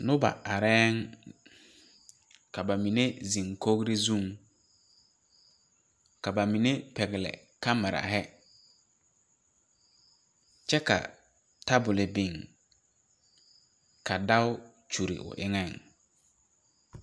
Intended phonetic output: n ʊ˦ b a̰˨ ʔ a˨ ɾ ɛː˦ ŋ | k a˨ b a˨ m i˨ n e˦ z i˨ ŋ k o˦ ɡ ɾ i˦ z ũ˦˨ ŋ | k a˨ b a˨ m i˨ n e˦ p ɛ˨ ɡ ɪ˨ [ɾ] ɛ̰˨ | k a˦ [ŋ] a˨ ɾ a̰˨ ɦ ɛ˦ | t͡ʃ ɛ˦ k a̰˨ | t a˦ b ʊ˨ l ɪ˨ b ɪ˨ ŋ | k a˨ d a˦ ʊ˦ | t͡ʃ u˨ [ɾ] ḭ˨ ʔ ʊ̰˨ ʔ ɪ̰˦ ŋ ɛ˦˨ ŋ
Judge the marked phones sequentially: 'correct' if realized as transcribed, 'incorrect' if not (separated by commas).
incorrect, incorrect, correct